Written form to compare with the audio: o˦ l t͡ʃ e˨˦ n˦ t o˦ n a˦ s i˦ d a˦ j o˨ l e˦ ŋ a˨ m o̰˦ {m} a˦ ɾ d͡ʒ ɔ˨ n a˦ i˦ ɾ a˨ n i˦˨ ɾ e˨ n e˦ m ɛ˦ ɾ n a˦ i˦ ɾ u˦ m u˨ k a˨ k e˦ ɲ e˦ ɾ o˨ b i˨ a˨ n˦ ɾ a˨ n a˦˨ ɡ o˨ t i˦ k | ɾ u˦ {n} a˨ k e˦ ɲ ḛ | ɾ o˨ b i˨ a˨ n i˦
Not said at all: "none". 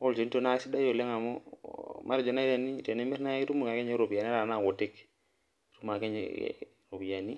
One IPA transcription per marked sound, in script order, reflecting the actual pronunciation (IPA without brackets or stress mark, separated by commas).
m, m